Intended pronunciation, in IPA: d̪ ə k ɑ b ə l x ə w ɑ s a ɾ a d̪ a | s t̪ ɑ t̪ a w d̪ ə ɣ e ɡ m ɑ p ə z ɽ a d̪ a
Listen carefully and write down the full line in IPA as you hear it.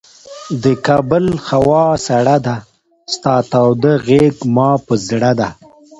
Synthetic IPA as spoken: d̪ ə k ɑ b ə l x a w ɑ s a ɽ a d̪ a | s t̪ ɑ t̪ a w d̪ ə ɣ e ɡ m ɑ p ə z ɽ a d̪ a